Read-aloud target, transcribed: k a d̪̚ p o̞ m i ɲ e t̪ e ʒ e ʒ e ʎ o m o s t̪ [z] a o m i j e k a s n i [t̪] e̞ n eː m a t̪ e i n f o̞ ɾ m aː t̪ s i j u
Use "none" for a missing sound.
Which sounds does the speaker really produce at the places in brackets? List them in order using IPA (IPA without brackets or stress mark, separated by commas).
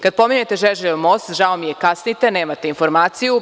ʒ, t̪